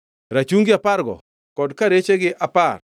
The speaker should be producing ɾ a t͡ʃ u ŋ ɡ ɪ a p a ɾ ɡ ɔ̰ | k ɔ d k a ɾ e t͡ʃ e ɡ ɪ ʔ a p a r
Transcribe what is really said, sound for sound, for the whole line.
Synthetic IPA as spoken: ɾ a t͡ʃ u ŋ ɡ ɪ a p a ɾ ɡ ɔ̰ | k ɔ d k a ɾ e t͡ʃ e ɡ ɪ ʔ a p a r